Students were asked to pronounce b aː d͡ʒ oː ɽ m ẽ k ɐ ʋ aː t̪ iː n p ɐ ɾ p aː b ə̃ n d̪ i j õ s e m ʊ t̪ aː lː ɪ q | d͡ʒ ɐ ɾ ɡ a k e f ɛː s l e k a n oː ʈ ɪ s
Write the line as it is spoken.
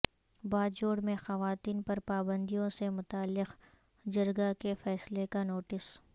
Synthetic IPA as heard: b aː d͡ʒ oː ɽ m ẽ x ɐ ʋ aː t̪ iː n p ɐ ɾ p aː b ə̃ n d̪ i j õ s e m ʊ t̪ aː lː ɪ q | d͡ʒ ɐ ɾ ɡ a k e f ɛː s l e k a n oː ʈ ɪ s